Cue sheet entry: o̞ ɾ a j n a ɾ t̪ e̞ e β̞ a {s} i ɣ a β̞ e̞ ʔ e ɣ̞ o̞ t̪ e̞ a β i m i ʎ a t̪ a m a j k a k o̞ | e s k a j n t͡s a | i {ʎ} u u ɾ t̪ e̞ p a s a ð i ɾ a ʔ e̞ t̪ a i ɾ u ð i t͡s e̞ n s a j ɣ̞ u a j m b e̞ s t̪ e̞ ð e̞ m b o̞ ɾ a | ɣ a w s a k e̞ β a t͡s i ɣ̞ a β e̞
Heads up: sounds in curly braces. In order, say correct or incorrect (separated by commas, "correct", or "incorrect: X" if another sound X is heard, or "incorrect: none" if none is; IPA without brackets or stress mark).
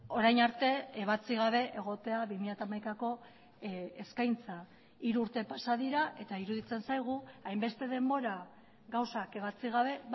incorrect: t͡s, incorrect: ɾ